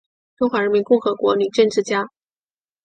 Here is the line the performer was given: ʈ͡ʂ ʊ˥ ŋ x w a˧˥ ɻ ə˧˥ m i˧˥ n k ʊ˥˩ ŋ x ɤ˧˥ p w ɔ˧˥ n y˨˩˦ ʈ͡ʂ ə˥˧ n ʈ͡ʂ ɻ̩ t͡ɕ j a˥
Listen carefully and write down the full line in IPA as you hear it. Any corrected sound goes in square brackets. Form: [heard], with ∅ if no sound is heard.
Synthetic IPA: ʈ͡ʂ ʊ˥ ŋ x w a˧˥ ɻ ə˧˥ m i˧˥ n k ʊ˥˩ ŋ x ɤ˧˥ [k] w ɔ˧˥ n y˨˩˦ ʈ͡ʂ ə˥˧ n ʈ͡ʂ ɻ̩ t͡ɕ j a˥

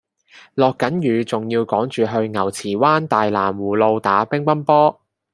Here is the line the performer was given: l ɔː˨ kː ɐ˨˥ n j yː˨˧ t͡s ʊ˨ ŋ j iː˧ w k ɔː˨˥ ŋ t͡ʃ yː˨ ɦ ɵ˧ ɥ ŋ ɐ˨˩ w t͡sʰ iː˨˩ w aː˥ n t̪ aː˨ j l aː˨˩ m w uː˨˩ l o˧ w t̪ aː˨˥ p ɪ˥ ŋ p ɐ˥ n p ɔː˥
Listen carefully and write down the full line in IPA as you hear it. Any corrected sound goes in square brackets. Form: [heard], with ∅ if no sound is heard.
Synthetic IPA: l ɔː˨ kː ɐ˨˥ n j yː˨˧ t͡s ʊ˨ ŋ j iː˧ w k ɔː˨˥ ŋ t͡ʃ yː˨ ɦ ɵ˧ ɥ ŋ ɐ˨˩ w t͡sʰ iː˨˩ w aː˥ n t̪ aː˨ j l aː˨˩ m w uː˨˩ l o˧ w t̪ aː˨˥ p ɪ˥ ŋ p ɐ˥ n p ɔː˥

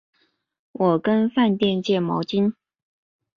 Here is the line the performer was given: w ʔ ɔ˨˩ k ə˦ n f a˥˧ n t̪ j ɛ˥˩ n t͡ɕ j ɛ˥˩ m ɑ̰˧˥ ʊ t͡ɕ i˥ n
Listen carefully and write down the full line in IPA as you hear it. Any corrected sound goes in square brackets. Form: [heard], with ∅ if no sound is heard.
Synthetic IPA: w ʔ ɔ˨˩ k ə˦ n f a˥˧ n t̪ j [ɛ˥˧] n t͡ɕ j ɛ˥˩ m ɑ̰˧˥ ʊ t͡ɕ i˥ n

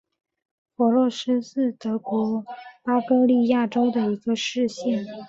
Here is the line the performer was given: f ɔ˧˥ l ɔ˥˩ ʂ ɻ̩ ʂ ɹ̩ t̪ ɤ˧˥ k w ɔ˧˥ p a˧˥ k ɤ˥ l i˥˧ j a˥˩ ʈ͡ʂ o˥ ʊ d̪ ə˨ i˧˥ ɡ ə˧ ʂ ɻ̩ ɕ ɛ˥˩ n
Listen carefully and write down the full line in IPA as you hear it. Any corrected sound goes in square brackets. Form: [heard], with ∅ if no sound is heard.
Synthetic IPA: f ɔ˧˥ l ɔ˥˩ ʂ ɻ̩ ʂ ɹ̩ t̪ ɤ˧˥ k w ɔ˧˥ p [a˥] k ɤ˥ l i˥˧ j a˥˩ ʈ͡ʂ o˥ ʊ d̪ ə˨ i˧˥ ɡ ə˧ ʂ ɻ̩ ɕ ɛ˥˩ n

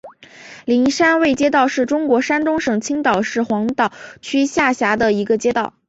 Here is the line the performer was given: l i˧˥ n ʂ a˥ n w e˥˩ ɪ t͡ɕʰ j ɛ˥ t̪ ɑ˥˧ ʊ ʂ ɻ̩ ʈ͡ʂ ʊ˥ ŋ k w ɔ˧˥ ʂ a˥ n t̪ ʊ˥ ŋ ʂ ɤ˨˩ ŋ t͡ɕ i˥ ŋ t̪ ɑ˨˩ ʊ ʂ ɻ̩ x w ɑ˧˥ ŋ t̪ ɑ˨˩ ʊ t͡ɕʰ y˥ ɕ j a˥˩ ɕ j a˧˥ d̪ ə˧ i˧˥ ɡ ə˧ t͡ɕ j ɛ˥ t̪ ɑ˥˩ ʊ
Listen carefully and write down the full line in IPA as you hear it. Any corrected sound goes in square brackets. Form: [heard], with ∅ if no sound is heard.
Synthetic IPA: l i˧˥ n ʂ a˥ n w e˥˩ ɪ [t͡ɕ] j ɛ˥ t̪ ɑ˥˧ ʊ ʂ ɻ̩ ʈ͡ʂ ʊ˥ ŋ k w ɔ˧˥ ʂ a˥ n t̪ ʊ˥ ŋ ʂ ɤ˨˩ ŋ [t͡ɕʰ] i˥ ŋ t̪ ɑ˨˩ ʊ ʂ ɻ̩ x w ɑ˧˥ ŋ t̪ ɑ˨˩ ʊ t͡ɕʰ y˥ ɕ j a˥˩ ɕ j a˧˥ d̪ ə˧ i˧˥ ɡ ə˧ t͡ɕ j ɛ˥ t̪ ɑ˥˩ ʊ

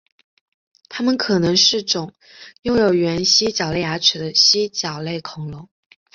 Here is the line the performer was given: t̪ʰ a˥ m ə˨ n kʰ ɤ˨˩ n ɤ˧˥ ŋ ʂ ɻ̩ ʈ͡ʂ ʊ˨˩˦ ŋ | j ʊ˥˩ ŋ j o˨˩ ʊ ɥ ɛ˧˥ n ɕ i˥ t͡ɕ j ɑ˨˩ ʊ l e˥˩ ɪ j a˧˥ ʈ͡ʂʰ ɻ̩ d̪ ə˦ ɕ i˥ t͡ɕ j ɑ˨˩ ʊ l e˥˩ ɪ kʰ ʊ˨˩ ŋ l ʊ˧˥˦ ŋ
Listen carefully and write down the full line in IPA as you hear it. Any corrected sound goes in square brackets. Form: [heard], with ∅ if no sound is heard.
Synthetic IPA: t̪ʰ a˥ m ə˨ n kʰ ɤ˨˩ n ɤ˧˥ ŋ ʂ ɻ̩ ʈ͡ʂ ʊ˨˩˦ ŋ | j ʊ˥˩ ŋ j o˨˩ ʊ ɥ ɛ˧˥ n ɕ i˥ t͡ɕ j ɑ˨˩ ʊ l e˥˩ ɪ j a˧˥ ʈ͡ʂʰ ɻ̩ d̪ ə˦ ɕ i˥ t͡ɕ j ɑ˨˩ ʊ l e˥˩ ɪ kʰ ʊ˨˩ ŋ l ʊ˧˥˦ ŋ

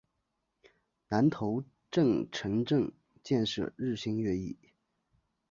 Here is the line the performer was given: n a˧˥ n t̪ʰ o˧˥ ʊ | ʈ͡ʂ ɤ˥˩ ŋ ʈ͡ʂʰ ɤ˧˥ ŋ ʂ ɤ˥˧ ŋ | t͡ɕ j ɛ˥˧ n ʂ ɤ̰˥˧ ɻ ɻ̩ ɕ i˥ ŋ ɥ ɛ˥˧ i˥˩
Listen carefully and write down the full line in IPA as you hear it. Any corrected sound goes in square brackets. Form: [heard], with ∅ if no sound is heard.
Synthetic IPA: n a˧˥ n t̪ʰ o˧˥ ʊ | ʈ͡ʂ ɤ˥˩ ŋ ʈ͡ʂʰ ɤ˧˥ ŋ [ʈ͡ʂ] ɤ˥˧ ŋ | t͡ɕ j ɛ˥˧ n ʂ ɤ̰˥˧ ɻ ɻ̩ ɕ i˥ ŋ ɥ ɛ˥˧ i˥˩

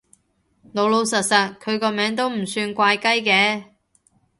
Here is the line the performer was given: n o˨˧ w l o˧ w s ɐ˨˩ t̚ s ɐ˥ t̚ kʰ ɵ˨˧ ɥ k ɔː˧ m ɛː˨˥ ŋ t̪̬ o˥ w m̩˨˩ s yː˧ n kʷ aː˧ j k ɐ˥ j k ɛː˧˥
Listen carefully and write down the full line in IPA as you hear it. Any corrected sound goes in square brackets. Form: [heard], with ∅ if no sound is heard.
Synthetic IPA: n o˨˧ w l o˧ w s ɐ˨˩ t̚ s [ɐ˨] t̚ kʰ ɵ˨˧ ɥ k ɔː˧ m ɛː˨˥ ŋ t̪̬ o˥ w m̩˨˩ s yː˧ n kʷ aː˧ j k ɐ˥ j k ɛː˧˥

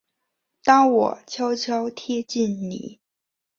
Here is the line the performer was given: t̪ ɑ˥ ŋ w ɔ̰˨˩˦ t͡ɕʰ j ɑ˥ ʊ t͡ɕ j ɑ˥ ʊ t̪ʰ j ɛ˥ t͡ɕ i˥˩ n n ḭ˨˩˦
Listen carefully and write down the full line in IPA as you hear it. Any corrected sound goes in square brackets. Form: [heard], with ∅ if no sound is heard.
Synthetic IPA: t̪ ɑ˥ ŋ w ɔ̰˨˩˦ t͡ɕʰ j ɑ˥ ʊ [t͡ɕʰ] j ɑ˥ ʊ t̪ʰ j ɛ˥ t͡ɕ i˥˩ n n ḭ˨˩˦

